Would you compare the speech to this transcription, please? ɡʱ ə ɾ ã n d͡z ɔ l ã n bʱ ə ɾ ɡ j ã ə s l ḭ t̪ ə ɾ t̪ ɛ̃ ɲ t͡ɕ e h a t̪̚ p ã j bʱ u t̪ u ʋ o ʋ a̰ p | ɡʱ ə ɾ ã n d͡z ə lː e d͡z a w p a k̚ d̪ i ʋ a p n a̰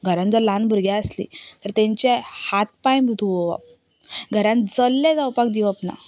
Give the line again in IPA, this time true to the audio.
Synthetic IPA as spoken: ɡʱ ə ɾ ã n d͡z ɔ l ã n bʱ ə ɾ ɡ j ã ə s l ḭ t̪ ə ɾ t̪ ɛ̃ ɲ t͡ɕ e h a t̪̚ p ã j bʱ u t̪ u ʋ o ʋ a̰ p | ɡʱ ə ɾ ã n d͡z ə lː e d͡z a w p a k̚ d̪ i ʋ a p n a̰